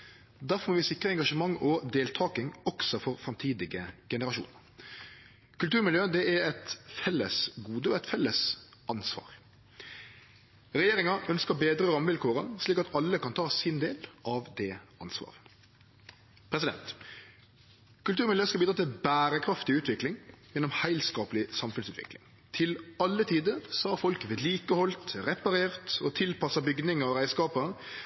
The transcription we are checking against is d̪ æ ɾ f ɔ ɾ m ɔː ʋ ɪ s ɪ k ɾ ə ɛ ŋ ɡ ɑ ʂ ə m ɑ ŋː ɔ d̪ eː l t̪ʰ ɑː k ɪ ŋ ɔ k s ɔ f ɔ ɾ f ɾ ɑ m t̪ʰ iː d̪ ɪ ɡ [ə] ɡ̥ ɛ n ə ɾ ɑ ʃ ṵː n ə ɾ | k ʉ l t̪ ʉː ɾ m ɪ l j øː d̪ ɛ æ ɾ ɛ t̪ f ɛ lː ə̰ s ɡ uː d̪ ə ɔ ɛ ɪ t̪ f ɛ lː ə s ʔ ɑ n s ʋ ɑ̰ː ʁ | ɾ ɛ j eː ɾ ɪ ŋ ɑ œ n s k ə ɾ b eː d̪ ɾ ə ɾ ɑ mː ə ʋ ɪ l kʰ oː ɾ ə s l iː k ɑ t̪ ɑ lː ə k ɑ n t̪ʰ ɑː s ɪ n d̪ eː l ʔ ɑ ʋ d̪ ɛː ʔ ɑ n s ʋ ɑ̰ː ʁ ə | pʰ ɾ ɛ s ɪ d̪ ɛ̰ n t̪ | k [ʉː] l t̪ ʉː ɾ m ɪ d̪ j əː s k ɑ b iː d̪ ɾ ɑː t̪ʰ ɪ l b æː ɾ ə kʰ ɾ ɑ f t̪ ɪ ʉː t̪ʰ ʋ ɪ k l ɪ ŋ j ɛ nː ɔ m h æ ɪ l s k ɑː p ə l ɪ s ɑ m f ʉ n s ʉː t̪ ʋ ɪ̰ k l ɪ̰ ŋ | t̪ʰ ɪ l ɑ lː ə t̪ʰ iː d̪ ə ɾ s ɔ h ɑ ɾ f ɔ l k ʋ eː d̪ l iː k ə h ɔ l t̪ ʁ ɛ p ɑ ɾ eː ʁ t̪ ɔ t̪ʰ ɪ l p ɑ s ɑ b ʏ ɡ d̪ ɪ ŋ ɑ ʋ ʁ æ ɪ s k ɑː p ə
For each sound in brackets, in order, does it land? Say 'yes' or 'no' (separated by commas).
yes, no